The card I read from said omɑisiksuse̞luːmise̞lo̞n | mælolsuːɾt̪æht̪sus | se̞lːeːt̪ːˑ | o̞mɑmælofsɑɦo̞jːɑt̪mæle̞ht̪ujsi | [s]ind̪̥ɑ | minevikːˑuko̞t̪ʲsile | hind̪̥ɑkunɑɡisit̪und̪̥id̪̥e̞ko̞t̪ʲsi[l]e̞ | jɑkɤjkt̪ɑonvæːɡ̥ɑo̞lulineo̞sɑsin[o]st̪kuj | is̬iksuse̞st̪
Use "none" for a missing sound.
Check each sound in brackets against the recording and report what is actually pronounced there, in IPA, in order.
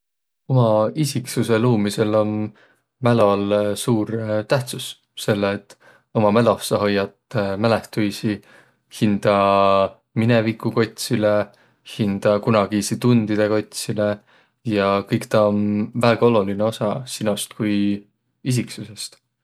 h, l, o

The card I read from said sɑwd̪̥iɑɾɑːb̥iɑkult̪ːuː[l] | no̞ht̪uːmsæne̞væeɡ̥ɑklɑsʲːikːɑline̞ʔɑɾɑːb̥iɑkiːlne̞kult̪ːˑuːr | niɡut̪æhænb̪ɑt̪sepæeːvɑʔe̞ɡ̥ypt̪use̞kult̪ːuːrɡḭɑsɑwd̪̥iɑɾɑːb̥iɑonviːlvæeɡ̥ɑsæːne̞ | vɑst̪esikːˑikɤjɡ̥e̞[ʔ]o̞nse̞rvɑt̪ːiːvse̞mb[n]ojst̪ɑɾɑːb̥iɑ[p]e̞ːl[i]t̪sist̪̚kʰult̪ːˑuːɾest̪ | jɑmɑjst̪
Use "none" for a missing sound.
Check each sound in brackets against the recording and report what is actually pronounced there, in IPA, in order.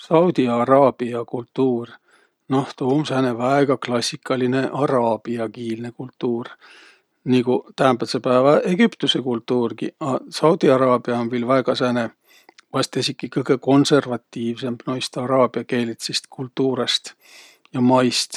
r, k, n, k, i

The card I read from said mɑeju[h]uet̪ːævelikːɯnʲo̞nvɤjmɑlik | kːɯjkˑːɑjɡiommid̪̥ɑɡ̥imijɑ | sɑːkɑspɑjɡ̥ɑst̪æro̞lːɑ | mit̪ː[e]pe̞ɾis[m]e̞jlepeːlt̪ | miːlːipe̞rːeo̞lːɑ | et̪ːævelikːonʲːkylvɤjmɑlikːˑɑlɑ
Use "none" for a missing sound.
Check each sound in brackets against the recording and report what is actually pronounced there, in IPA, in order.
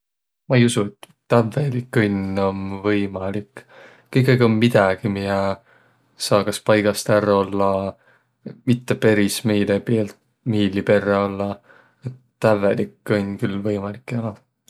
s, e, m

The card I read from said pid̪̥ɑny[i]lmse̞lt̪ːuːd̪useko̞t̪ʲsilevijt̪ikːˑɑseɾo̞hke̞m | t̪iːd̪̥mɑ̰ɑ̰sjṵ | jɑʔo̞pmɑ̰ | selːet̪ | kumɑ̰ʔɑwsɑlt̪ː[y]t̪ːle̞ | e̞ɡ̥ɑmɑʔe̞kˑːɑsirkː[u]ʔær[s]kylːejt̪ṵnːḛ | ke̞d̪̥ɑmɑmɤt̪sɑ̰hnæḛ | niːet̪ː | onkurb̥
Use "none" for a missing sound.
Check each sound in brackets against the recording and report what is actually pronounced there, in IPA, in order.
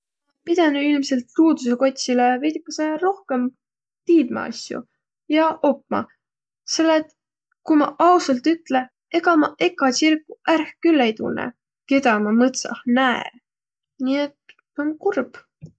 i, y, u, h

